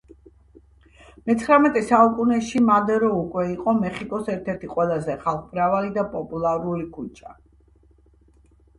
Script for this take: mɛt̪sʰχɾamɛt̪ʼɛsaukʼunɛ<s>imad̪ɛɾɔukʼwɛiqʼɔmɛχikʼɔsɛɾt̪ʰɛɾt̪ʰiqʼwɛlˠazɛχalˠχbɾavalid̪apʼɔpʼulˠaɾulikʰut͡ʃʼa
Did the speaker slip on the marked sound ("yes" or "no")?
yes